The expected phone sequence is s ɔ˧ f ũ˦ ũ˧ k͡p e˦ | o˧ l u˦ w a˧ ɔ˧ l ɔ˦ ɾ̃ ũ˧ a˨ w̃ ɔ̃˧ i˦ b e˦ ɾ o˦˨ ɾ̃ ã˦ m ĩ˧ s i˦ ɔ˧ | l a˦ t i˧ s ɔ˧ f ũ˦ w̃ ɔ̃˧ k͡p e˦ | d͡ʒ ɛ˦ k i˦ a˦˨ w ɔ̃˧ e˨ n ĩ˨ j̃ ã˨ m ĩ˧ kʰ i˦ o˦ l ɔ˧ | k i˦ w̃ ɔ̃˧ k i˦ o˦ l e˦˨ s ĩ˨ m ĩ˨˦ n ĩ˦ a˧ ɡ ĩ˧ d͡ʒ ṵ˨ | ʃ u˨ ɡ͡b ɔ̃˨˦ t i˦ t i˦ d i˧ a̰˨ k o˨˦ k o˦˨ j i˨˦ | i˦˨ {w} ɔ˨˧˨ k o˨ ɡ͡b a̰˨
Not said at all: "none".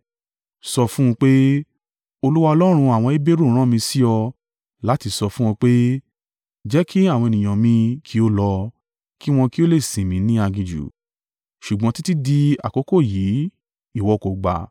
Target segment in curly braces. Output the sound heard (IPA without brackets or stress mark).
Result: w